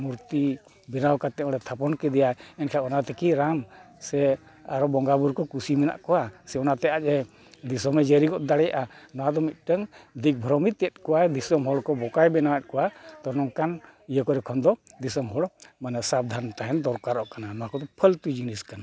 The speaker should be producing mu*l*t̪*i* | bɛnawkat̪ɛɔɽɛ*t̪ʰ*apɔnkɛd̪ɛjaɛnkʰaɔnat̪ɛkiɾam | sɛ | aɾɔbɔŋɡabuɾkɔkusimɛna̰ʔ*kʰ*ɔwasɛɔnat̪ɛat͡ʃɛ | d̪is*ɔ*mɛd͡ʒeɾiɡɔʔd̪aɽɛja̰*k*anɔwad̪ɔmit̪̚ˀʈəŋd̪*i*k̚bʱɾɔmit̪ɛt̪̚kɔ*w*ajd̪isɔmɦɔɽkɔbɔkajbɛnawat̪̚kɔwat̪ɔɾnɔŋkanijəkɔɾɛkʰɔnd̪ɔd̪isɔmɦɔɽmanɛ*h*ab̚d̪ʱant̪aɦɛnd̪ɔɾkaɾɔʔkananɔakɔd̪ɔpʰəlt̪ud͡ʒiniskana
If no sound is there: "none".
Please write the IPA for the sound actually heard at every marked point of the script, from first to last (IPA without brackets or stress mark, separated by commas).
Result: ɾ, i, t̪ʰ, k, ɔ, ʔ, i, w, s